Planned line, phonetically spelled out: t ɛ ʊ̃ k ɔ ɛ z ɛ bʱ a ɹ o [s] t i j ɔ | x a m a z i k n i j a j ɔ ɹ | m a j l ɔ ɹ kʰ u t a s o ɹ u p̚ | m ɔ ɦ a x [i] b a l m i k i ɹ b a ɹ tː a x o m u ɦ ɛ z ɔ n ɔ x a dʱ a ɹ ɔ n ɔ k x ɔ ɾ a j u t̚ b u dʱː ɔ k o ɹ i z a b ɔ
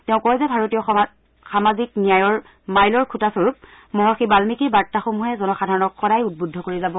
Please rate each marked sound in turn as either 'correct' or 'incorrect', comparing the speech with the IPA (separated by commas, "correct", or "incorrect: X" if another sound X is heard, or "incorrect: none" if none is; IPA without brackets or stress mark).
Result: incorrect: none, correct